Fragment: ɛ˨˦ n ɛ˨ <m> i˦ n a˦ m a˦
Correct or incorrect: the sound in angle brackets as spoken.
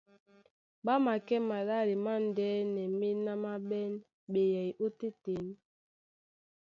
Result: correct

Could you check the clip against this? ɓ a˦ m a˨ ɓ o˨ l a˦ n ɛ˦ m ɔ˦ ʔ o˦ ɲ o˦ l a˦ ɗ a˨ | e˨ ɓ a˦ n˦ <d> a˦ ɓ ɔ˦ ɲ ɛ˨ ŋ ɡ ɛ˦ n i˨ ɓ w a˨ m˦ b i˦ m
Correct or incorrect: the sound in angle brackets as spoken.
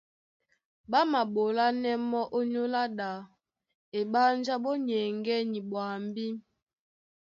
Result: incorrect: d͡ʒ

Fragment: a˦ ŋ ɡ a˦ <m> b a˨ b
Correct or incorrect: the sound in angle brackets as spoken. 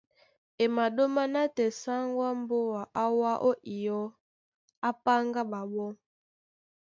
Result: incorrect: none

